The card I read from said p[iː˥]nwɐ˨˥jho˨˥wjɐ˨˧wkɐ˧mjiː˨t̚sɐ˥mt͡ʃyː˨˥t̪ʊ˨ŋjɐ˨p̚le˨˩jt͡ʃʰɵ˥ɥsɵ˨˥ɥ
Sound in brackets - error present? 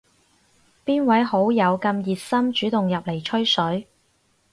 no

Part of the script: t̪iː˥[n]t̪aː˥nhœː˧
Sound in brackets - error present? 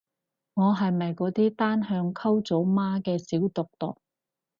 yes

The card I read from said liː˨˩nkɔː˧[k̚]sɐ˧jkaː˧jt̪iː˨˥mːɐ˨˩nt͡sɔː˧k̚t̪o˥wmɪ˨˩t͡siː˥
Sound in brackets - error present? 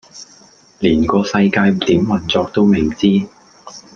yes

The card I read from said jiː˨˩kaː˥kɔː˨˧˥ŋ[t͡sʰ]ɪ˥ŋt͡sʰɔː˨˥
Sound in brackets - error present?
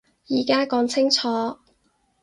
no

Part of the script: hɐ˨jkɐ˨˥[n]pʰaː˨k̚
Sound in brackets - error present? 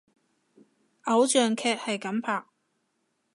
yes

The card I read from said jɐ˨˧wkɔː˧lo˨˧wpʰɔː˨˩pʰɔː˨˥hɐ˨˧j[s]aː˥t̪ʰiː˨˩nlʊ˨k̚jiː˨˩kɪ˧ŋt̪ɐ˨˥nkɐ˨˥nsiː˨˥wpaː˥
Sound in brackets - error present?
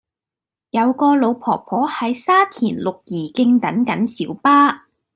no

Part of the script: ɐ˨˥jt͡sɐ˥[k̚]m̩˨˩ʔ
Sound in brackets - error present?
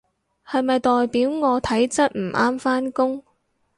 yes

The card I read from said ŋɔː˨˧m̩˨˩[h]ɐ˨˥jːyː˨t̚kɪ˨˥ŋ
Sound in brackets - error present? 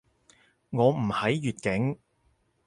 no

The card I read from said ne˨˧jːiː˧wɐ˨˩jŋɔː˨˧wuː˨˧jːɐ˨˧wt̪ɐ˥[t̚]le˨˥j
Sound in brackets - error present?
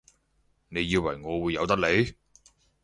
yes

